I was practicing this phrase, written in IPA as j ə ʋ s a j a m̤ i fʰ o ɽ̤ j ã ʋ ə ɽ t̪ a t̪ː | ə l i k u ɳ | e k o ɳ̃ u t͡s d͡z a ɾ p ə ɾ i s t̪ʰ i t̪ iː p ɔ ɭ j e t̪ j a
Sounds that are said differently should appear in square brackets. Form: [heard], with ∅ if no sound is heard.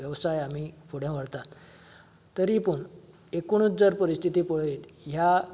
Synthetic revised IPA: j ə ʋ s a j a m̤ i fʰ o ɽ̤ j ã ʋ ə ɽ t̪ a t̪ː | ə [ɾ] i [p] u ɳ | e k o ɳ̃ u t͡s d͡z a ɾ p ə ɾ i s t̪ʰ i t̪ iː p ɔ ɭ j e t̪ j a